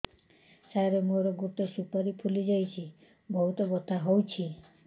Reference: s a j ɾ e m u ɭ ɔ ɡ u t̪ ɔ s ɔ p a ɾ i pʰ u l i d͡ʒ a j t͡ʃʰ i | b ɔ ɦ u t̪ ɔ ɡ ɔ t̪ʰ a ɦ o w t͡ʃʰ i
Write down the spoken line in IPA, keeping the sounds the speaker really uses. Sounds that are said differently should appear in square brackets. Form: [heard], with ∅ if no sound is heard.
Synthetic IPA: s a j ɾ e m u [ɾ] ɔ ɡ u t̪ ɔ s [u] p a ɾ i pʰ u l i d͡ʒ a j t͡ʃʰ i | b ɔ ɦ u t̪ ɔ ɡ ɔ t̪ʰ a ɦ o w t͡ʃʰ i